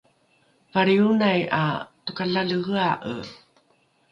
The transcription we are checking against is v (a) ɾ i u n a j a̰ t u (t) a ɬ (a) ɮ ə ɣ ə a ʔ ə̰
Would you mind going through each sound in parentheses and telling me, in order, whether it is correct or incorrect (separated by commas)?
correct, incorrect, correct